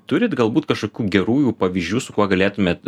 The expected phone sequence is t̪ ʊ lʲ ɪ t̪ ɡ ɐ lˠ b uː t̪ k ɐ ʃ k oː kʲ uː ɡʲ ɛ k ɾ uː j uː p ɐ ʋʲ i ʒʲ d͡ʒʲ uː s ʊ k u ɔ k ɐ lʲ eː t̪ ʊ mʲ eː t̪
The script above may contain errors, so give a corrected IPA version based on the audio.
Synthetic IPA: t̪ ʊ ɾʲ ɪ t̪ ɡ ɐ lˠ b uː t̪ k ɐ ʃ k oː kʲ uː ɡʲ ɛ ɾ uː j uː p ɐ ʋʲ i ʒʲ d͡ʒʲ uː s ʊ k u ɔ ɡ ɐ lʲ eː t̪ ʊ mʲ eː t̪